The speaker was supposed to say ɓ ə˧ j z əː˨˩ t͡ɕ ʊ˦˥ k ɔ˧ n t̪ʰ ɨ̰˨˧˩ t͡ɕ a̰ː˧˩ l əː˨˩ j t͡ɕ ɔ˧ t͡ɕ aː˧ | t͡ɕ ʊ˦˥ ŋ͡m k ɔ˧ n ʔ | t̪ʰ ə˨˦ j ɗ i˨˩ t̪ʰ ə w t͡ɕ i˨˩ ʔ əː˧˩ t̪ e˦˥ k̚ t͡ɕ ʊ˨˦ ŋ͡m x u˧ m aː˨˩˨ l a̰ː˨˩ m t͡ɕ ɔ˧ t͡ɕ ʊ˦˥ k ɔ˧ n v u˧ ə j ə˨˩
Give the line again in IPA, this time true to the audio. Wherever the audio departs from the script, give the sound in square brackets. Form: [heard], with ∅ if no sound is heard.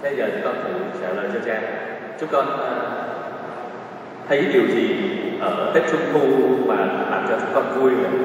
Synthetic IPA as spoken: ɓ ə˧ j z əː˨˩ t͡ɕ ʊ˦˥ k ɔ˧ n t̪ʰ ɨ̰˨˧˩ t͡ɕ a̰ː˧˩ l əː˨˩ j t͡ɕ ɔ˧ t͡ɕ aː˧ | t͡ɕ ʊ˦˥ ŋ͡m k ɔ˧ n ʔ | t̪ʰ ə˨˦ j ɗ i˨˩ [∅] ə w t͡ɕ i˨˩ ʔ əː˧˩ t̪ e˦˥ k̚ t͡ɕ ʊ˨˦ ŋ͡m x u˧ m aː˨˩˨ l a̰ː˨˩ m t͡ɕ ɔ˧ t͡ɕ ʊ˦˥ k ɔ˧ n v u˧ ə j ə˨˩